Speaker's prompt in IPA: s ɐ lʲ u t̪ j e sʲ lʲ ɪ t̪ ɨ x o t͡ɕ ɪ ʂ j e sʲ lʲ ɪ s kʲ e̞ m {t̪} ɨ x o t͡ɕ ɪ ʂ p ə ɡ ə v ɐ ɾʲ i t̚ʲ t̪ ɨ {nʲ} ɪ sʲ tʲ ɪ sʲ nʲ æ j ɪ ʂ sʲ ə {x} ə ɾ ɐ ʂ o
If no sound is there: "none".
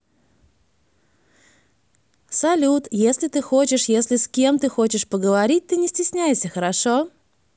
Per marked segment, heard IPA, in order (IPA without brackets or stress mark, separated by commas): t̪, nʲ, x